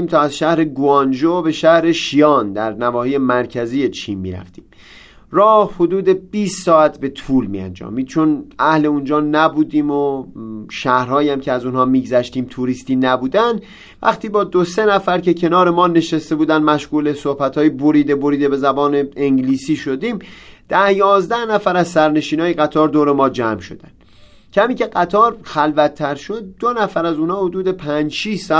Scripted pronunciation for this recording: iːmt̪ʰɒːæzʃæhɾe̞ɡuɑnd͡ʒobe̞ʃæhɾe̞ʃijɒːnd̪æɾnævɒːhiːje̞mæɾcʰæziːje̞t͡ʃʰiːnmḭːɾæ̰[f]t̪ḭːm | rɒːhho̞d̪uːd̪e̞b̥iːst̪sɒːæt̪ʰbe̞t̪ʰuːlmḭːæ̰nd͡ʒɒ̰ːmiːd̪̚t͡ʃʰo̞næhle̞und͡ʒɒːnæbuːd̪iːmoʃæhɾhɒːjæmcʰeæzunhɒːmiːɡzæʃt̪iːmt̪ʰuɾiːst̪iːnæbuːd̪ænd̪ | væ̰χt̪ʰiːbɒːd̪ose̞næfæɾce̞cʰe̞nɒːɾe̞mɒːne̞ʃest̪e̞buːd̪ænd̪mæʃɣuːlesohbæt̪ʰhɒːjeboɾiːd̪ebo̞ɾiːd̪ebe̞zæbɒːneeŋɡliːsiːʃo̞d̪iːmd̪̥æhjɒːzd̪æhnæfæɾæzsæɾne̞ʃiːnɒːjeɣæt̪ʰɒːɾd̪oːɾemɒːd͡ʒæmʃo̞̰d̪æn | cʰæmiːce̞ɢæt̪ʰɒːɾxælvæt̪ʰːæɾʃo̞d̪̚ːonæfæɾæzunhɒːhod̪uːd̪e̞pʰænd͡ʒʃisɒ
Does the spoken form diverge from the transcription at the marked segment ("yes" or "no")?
no